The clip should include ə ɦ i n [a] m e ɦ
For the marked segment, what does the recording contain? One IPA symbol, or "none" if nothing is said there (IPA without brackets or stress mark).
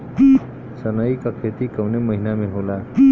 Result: a